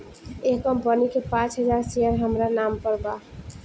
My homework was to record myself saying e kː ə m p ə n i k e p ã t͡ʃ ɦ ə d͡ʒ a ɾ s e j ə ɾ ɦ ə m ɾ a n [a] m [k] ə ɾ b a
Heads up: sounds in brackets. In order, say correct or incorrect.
correct, incorrect: p

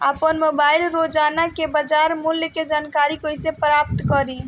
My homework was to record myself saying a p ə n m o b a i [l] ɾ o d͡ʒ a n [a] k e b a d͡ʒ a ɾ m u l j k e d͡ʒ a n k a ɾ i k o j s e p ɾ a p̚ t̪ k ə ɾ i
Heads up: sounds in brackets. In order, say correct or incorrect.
correct, correct

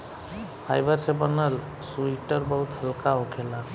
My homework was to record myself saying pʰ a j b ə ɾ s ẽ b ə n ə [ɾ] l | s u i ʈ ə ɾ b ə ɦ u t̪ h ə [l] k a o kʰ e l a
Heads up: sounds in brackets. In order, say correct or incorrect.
incorrect: none, correct

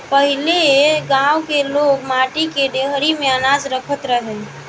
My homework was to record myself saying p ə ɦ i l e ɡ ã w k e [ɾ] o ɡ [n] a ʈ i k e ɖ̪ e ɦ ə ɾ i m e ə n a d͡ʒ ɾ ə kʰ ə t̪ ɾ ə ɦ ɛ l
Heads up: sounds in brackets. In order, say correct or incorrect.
incorrect: l, incorrect: m

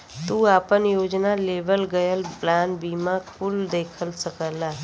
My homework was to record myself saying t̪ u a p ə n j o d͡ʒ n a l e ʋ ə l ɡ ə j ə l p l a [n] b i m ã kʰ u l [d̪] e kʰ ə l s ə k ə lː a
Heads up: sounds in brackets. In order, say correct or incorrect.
correct, correct

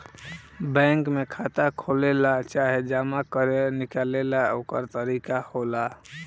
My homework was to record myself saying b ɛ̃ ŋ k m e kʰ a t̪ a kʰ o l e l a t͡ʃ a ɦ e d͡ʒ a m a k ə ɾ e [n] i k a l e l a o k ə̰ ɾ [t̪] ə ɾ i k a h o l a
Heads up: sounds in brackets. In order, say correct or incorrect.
correct, correct

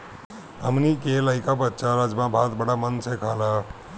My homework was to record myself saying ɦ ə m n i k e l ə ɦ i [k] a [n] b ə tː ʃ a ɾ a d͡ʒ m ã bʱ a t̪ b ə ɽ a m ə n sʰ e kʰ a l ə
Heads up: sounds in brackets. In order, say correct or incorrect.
correct, incorrect: none

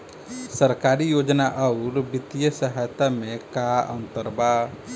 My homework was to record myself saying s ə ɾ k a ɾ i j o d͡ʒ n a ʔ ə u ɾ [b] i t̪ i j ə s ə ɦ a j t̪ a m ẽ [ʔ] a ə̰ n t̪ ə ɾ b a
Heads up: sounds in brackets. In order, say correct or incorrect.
correct, incorrect: k

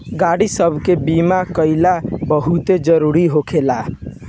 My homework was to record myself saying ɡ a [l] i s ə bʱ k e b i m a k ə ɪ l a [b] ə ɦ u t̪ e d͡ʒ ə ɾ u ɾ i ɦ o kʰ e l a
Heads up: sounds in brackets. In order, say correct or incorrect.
incorrect: ɽ, correct

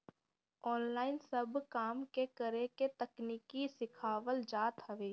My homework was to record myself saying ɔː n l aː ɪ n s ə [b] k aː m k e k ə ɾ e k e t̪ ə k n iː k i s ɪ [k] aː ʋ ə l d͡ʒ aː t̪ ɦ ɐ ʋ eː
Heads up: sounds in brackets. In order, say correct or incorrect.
correct, incorrect: kʰ

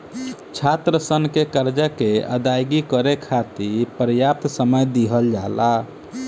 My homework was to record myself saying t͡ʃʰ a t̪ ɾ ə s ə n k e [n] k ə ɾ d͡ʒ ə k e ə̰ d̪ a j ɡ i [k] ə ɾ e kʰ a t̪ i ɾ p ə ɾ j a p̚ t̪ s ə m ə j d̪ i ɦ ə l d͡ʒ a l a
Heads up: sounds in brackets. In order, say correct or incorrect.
incorrect: none, correct

